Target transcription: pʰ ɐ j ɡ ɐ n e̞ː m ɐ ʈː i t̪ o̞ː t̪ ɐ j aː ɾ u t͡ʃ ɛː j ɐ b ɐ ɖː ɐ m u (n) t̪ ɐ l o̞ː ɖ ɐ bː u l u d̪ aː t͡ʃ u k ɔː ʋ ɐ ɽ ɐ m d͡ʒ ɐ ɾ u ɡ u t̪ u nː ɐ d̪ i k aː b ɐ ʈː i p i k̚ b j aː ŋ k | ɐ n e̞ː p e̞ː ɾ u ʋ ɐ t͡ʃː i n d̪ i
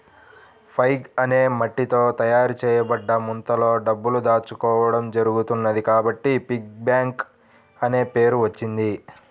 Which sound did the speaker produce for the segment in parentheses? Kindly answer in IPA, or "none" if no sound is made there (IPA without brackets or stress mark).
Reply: n